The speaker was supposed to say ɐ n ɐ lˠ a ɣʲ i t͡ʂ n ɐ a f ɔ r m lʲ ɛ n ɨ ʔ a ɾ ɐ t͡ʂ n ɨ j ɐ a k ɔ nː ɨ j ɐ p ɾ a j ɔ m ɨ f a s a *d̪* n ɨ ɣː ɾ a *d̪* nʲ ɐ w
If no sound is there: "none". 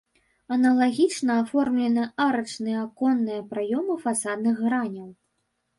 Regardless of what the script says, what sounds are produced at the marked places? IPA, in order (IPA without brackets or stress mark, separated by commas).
d̪, none